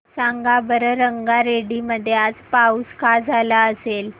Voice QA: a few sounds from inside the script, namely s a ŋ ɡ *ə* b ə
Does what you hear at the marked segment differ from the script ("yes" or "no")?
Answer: yes